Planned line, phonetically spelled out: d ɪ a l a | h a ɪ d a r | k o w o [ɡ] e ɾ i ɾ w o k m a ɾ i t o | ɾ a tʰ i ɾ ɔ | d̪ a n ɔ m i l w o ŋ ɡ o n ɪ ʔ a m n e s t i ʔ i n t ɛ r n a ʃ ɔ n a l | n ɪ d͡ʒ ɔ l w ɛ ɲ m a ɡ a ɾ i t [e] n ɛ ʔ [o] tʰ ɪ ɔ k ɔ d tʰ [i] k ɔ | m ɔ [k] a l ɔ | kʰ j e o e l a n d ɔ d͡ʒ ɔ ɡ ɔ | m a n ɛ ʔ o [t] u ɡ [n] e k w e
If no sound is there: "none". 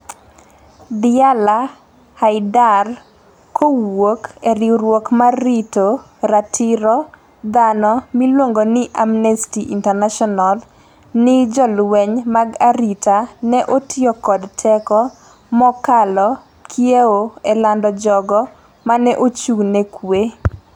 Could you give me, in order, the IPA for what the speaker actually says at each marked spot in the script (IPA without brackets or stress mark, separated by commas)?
k, a, o, ɛ, k, t͡ʃ, n